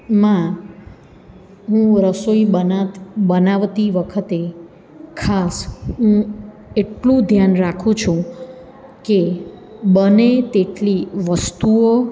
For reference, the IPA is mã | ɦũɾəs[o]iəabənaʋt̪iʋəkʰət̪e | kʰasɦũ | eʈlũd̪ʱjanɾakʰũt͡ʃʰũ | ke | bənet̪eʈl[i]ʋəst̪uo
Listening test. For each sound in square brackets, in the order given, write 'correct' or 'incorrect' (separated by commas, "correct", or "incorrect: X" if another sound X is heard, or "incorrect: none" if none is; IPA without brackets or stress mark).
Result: correct, correct